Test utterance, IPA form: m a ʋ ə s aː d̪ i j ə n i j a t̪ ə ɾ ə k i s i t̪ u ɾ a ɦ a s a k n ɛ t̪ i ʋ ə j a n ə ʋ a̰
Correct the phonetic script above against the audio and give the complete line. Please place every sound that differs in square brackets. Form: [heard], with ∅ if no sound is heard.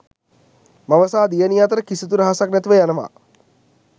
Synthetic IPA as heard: m a ʋ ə s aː d̪ i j ə n i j a t̪ ə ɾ ə k i s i t̪ u ɾ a ɦ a s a k n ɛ t̪ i ʋ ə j a n ə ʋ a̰